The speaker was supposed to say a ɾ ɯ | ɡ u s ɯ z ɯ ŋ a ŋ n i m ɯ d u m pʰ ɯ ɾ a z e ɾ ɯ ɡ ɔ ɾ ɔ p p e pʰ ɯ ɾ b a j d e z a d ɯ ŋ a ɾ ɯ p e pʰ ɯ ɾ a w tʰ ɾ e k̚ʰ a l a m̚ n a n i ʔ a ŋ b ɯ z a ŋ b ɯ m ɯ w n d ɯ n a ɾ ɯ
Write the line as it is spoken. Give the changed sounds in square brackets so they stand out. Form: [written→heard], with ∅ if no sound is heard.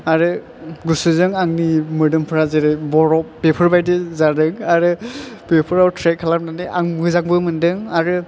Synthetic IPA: a ɾ ɯ | ɡ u s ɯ z ɯ ŋ a ŋ n i m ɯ d [u→ɯ] m pʰ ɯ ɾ a z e ɾ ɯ [ɡ→b] ɔ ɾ ɔ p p e pʰ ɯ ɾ b a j d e z a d ɯ ŋ a ɾ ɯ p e pʰ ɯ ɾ a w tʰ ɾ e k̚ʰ a l a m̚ n a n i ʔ a ŋ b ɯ z a ŋ b ɯ m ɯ [w→∅] n d ɯ [n→ŋ] a ɾ ɯ